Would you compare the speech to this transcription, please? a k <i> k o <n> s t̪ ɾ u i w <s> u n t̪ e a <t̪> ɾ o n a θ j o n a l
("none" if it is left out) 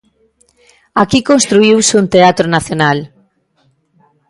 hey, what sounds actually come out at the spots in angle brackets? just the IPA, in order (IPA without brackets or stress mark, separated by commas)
i, n, s, t̪